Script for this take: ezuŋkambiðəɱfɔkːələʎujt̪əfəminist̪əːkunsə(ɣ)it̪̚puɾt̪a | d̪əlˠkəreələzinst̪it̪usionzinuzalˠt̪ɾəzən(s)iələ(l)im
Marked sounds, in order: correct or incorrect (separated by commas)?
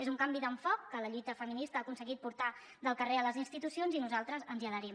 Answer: correct, incorrect, incorrect